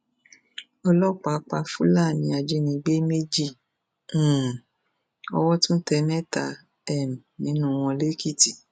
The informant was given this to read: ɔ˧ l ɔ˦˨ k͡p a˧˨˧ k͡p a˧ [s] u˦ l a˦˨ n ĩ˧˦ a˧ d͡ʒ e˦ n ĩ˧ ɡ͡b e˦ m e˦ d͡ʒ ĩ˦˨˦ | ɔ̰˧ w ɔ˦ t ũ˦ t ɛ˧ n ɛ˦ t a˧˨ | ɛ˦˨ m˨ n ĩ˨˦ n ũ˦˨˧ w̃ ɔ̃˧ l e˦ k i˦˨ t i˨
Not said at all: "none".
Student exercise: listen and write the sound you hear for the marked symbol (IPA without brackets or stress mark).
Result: f